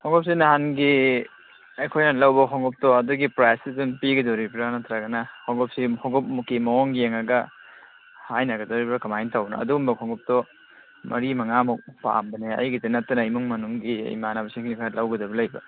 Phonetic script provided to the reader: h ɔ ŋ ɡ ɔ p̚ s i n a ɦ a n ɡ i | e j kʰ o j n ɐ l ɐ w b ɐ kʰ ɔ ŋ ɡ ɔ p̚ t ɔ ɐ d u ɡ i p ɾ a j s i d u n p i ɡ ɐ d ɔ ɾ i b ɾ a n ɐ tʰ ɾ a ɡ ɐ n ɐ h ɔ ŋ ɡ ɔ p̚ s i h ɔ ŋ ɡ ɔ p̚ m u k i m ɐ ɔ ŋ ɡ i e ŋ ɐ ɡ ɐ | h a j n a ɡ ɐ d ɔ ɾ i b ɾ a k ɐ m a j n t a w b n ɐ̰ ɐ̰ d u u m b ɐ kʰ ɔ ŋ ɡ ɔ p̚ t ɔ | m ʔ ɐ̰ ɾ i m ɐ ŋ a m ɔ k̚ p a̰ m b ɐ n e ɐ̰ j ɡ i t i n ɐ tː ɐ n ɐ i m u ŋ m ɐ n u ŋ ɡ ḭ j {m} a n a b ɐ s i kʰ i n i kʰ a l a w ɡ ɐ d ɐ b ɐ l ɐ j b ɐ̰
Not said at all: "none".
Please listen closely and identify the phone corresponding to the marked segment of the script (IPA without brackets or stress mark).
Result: m